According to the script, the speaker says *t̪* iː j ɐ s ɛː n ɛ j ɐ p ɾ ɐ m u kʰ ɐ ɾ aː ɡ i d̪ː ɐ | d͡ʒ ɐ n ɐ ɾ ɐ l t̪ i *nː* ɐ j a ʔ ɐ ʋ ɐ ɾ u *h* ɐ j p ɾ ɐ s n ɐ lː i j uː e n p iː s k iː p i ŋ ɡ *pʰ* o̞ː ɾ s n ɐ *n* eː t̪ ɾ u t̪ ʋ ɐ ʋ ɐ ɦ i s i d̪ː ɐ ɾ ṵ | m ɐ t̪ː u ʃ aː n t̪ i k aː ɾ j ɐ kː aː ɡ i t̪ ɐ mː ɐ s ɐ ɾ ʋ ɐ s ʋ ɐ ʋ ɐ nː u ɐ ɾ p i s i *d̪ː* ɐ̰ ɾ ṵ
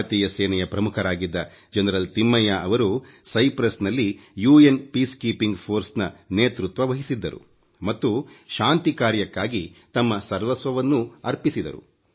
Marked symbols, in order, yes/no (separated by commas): yes, no, no, yes, yes, no